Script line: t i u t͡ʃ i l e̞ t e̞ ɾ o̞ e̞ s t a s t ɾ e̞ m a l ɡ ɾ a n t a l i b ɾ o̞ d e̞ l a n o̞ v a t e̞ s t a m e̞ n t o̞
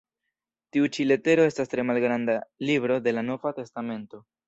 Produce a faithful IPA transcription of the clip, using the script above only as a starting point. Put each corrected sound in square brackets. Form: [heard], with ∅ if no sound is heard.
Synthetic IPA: t i u t͡ʃ i l e̞ t e̞ ɾ o̞ e̞ s t a s t ɾ e̞ m a l ɡ ɾ a n [d] a l i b ɾ o̞ d e̞ l a n o̞ v a t e̞ s t a m e̞ n t o̞